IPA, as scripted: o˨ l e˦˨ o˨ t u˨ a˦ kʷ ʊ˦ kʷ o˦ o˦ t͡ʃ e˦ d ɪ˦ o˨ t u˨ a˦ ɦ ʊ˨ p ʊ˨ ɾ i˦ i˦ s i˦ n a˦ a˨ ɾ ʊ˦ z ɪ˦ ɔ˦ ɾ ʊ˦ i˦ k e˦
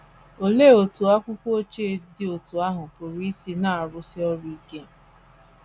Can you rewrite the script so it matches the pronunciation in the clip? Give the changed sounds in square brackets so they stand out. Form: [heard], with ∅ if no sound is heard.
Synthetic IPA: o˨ l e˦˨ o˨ t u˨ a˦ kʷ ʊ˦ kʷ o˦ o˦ t͡ʃ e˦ d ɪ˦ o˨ t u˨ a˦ ɦ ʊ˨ p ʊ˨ ɾ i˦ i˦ s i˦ n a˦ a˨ ɾ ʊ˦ [s] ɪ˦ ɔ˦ ɾ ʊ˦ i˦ k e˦